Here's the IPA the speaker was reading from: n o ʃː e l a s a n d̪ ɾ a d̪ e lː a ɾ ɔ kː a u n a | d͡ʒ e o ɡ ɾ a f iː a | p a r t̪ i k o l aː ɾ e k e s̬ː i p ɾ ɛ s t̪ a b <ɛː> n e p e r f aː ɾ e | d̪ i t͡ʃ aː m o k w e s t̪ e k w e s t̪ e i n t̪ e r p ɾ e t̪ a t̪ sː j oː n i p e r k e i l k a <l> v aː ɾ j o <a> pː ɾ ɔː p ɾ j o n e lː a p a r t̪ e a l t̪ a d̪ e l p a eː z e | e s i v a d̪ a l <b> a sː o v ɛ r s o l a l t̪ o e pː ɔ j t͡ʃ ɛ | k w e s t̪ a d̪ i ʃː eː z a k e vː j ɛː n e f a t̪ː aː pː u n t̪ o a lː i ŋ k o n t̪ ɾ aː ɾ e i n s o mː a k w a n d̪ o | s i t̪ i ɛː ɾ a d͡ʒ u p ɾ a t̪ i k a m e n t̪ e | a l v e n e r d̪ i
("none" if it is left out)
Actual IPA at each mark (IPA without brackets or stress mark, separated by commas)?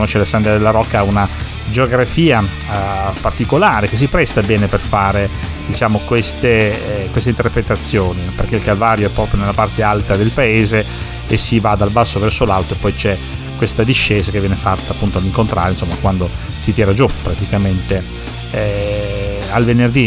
ɛː, l, ɛ, b